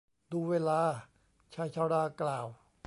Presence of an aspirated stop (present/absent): present